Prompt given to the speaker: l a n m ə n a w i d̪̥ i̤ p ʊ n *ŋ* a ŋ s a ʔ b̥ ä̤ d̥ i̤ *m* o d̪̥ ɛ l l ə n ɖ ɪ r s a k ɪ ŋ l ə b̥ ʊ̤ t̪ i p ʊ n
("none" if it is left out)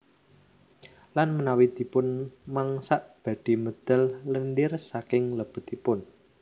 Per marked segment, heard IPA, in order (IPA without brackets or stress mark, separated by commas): m, m